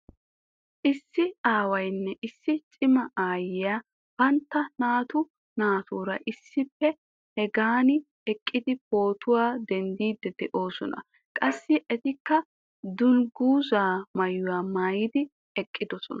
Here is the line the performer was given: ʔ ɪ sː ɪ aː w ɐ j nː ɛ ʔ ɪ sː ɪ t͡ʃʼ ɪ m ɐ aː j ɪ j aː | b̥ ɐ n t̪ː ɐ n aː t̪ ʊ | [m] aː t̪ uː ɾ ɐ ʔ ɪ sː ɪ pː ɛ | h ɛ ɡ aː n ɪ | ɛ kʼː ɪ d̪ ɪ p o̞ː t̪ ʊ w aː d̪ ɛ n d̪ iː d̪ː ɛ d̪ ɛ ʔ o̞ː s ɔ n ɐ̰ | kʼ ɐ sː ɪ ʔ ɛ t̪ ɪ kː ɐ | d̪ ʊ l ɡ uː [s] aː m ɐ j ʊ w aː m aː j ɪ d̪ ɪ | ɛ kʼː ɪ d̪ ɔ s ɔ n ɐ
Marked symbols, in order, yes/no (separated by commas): no, no